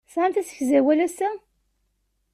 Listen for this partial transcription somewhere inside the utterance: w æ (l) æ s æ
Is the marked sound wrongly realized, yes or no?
no